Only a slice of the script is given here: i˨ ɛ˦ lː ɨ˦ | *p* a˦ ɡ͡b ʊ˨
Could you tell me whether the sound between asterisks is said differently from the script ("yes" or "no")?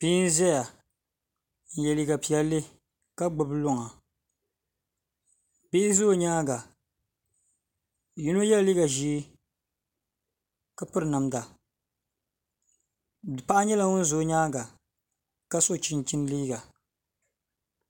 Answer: yes